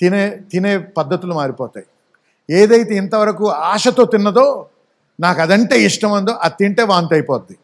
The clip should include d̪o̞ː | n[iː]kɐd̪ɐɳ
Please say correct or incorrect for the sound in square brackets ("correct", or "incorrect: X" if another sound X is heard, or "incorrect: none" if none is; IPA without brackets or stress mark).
incorrect: aː